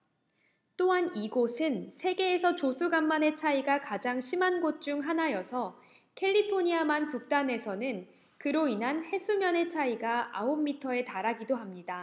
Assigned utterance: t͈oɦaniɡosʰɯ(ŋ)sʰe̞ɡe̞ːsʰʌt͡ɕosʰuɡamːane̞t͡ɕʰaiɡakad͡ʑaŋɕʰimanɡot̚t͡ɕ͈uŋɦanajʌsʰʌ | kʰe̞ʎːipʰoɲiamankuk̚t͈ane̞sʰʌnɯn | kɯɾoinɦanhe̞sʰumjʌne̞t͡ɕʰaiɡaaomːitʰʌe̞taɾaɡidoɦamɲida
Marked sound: incorrect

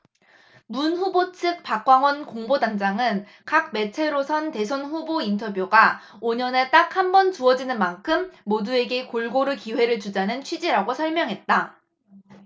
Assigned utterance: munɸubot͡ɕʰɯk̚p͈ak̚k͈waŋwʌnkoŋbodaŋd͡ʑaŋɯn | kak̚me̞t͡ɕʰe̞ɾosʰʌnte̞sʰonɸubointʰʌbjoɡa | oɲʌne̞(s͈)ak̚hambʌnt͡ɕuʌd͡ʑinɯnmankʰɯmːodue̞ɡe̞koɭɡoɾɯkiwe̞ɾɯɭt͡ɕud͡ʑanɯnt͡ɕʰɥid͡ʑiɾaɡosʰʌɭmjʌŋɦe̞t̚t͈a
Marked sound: incorrect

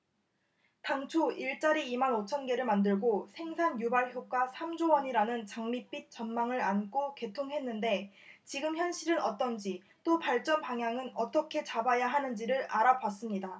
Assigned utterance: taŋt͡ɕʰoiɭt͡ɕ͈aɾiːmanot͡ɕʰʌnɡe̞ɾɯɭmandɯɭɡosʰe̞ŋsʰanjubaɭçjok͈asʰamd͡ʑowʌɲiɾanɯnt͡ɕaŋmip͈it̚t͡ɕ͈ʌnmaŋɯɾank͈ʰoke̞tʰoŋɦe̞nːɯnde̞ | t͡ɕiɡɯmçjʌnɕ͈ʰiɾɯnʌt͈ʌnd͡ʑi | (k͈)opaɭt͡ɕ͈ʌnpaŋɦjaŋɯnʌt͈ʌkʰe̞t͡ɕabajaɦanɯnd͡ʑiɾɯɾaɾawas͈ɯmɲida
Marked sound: incorrect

